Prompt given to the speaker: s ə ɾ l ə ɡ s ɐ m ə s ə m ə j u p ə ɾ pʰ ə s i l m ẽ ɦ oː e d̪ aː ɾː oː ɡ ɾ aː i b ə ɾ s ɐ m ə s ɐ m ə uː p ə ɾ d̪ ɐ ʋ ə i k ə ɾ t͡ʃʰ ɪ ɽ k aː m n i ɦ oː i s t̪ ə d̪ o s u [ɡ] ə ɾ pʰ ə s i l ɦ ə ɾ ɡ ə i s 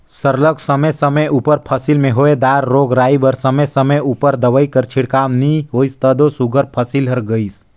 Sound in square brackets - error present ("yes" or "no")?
no